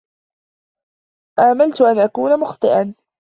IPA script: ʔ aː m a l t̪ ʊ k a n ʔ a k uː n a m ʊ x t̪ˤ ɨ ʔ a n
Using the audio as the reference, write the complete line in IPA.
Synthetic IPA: ʔ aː m a l t̪ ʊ ʔ a n ʔ a k uː n a m ʊ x t̪ˤ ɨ ʔ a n